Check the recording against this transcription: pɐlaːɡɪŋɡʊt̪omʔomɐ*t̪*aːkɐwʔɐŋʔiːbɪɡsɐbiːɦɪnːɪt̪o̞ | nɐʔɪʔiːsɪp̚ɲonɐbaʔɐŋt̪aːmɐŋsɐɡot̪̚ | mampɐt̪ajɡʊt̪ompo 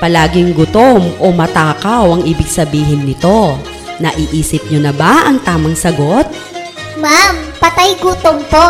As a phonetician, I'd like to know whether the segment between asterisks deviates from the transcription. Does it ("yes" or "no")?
no